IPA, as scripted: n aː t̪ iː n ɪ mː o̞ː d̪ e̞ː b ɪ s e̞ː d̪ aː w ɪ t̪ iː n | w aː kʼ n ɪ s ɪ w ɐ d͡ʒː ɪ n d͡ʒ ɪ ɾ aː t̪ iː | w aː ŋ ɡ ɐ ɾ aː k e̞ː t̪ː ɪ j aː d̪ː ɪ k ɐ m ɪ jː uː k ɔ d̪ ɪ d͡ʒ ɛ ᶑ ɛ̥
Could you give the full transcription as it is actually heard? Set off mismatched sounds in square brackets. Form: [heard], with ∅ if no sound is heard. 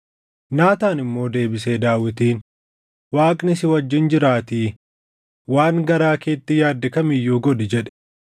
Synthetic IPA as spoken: n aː t̪ [aː] n ɪ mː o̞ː d̪ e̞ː b ɪ s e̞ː d̪ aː w ɪ t̪ iː n | w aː kʼ n ɪ s ɪ w ɐ d͡ʒː ɪ n d͡ʒ ɪ ɾ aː t̪ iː | w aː ŋ ɡ ɐ ɾ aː k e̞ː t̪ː ɪ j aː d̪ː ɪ k ɐ m ɪ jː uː [ɡ] ɔ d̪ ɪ d͡ʒ ɛ ᶑ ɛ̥